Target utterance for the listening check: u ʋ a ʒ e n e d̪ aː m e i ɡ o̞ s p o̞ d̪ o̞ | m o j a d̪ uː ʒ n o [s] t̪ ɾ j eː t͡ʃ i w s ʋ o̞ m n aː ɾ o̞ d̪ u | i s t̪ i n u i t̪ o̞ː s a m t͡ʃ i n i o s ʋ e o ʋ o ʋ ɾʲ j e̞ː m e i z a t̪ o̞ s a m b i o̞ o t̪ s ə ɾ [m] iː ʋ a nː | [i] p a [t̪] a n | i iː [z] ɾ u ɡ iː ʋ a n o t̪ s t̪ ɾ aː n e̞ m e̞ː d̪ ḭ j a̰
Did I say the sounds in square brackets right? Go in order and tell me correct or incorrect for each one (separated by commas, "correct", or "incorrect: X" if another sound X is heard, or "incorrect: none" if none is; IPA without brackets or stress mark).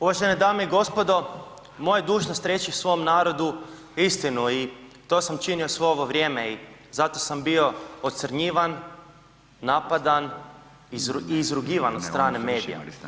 correct, incorrect: ɲ, incorrect: a, incorrect: d̪, correct